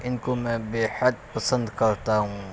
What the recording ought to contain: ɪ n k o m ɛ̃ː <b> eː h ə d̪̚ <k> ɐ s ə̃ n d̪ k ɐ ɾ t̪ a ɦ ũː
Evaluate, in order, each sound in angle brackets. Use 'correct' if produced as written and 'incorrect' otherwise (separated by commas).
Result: correct, incorrect